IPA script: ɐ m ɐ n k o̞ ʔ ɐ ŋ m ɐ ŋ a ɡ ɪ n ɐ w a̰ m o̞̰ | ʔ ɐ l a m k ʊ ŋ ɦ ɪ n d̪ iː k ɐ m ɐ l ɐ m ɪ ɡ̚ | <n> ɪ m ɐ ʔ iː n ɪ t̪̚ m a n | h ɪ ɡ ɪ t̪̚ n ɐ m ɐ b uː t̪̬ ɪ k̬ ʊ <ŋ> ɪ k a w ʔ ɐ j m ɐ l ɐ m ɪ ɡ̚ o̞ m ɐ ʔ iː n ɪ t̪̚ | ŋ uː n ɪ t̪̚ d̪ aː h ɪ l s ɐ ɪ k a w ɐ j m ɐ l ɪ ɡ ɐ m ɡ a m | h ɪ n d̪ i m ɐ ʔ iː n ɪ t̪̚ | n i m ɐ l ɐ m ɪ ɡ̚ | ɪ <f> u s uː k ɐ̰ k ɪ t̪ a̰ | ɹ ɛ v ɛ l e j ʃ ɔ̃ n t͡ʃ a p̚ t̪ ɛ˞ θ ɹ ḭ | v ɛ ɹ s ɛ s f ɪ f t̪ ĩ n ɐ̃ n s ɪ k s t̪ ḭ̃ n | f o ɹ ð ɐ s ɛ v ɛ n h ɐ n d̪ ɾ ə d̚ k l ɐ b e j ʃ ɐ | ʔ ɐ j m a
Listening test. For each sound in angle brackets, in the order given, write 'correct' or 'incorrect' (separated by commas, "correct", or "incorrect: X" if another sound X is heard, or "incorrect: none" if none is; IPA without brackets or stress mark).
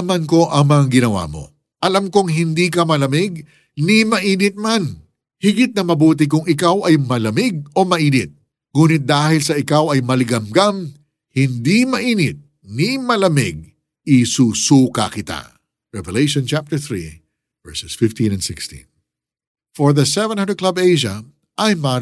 correct, correct, incorrect: s